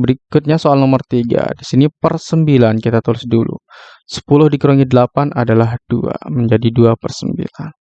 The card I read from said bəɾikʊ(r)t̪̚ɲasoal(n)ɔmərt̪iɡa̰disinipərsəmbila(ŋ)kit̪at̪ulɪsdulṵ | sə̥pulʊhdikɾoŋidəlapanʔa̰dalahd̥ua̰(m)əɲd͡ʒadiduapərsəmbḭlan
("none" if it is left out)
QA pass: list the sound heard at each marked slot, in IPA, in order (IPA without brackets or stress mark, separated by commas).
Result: none, n, n, m